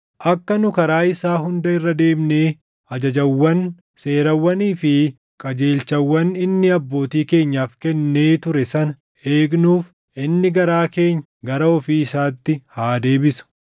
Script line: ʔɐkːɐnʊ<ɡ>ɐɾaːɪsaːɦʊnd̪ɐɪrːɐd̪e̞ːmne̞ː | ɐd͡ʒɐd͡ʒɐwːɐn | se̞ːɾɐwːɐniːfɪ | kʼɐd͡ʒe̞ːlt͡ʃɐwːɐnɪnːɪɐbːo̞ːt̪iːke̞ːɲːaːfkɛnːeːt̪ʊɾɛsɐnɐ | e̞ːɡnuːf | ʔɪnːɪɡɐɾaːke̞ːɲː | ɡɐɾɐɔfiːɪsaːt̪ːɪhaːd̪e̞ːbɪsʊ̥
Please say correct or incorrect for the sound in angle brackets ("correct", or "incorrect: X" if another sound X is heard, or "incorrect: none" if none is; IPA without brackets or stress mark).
incorrect: k